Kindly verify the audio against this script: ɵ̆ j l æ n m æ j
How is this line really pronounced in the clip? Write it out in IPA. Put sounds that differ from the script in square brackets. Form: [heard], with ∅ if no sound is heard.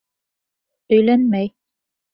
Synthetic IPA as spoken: ɵ̆ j l æ n m æ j